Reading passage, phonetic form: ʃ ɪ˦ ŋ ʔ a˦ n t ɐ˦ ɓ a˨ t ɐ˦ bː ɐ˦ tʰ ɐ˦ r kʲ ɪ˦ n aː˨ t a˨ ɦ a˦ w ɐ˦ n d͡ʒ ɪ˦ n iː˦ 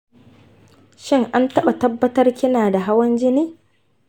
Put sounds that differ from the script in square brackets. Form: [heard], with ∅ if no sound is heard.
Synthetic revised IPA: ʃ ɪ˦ ŋ ʔ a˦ n t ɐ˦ ɓ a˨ t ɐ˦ bː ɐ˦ [t] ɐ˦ r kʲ ɪ˦ n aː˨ [d] a˨ ɦ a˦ w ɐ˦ n d͡ʒ ɪ˦ n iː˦